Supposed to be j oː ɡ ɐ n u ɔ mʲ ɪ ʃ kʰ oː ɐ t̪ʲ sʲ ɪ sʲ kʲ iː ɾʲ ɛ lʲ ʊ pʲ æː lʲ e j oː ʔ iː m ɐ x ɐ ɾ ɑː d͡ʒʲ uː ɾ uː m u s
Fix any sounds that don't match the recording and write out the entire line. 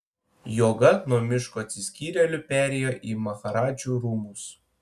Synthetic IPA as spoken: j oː ɡ ɐ n u ɔ mʲ ɪ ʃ k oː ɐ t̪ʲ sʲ ɪ sʲ kʲ iː ɾʲ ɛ lʲ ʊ pʲ æː ɾʲ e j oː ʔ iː m ɐ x ɐ ɾ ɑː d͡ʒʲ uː ɾ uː m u s